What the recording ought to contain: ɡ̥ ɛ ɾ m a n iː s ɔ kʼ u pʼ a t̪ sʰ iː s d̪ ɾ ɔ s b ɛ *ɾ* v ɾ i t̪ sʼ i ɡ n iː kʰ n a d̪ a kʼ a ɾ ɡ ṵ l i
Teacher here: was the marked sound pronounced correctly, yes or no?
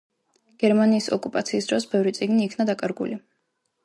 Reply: no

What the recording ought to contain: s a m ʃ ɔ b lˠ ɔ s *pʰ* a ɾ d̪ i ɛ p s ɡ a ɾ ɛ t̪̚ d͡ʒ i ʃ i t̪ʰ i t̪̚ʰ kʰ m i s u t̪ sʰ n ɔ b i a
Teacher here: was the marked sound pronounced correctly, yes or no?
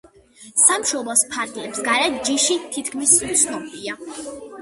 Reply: yes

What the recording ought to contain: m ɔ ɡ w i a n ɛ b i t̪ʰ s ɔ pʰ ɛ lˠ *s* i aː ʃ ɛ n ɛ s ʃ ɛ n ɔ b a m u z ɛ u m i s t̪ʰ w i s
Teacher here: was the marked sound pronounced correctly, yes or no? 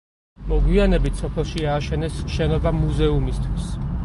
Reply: no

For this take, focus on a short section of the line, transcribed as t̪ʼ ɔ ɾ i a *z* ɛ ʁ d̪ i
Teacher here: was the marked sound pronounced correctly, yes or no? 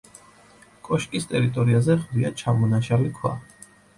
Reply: yes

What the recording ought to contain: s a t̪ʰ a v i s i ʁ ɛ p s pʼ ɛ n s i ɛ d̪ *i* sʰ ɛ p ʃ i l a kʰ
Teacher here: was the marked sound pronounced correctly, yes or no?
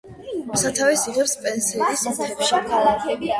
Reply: yes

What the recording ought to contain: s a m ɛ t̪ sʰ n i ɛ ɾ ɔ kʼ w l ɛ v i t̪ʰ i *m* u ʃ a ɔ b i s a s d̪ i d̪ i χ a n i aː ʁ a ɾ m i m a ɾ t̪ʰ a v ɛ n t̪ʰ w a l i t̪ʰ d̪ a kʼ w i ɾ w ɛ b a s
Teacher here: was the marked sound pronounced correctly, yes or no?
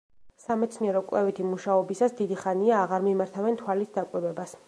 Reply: yes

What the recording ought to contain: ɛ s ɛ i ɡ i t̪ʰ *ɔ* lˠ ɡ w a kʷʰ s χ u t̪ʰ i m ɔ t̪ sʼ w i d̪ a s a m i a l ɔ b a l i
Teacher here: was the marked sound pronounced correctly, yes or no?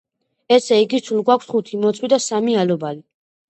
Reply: no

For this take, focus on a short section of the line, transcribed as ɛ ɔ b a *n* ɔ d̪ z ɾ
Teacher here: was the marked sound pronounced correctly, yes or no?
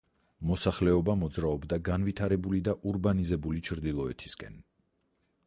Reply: no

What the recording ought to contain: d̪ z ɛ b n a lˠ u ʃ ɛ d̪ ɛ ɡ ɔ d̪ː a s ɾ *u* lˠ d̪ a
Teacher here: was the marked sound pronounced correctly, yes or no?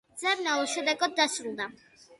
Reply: yes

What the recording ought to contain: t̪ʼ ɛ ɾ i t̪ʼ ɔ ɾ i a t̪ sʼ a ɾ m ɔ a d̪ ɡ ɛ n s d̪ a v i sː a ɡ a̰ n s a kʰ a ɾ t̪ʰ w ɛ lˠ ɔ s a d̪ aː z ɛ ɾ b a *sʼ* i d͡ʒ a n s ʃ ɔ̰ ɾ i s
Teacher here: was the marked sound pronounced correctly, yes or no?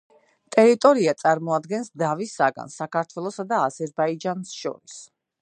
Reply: no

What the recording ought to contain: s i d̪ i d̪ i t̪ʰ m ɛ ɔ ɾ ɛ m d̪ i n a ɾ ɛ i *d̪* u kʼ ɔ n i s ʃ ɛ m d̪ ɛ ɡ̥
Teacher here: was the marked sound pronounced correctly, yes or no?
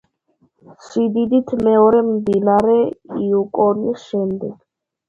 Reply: no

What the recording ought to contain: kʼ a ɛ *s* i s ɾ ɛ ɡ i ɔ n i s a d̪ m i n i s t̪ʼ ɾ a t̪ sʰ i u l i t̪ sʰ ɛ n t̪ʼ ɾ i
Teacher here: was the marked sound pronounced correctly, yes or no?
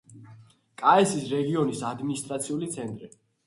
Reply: yes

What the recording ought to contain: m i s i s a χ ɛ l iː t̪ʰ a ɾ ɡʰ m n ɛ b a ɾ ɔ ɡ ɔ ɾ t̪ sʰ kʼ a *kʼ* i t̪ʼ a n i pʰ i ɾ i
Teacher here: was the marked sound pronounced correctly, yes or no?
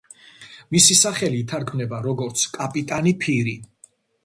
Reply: no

